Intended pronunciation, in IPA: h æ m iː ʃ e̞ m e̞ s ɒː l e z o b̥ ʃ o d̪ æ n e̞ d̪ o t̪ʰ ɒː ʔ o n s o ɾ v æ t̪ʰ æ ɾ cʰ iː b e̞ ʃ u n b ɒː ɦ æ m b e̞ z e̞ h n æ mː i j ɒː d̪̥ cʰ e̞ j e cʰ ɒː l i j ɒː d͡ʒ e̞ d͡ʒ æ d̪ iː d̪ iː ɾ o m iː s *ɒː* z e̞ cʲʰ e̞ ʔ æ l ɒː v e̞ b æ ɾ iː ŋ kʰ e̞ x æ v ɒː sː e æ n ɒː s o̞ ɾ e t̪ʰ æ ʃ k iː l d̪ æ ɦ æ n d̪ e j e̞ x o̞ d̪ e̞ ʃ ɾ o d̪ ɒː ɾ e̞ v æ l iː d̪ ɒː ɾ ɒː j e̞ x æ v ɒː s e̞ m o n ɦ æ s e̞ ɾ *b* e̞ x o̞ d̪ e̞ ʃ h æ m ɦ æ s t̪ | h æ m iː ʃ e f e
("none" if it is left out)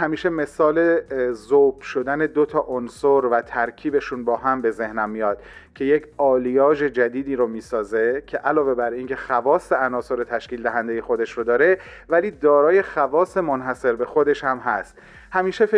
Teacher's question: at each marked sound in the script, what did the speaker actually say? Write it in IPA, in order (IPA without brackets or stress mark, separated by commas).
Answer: ɒː, b